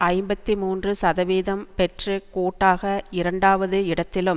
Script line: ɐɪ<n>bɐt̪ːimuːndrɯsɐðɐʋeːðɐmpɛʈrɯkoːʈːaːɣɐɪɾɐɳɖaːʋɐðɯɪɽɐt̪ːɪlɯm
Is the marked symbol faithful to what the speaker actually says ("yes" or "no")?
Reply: no